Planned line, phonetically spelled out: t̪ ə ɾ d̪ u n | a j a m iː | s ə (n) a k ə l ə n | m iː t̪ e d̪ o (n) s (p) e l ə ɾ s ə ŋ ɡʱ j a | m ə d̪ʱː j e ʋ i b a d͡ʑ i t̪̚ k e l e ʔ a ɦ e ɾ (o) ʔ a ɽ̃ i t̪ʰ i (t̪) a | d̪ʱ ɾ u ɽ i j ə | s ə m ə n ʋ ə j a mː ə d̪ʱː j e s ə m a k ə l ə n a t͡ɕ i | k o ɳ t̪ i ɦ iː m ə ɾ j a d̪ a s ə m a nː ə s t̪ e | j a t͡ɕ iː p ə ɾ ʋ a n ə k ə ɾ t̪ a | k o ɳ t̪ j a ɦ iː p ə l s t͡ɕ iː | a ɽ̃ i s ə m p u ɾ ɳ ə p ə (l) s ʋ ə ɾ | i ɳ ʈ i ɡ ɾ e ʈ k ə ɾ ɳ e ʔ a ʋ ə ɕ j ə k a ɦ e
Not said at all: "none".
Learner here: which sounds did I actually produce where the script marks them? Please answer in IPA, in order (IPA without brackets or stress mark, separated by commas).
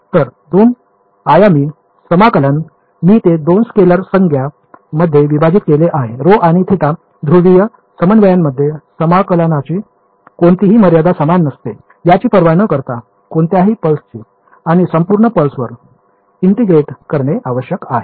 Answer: m, n, k, o, t̪, l